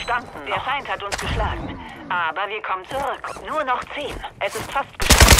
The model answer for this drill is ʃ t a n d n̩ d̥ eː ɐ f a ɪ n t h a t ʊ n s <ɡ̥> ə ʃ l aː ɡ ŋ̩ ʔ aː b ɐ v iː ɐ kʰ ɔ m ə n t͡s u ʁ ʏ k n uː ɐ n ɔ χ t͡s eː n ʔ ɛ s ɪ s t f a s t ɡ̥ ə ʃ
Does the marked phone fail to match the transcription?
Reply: no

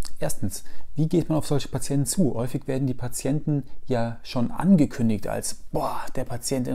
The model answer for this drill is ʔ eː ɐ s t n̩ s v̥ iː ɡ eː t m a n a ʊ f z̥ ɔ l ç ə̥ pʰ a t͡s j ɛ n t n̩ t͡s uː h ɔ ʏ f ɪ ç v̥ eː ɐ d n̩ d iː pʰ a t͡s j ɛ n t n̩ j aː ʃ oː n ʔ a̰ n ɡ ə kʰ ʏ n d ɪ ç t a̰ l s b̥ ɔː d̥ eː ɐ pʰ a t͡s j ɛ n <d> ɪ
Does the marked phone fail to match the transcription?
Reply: yes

